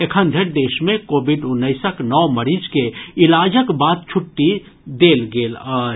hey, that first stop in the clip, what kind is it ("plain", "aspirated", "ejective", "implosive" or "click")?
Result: aspirated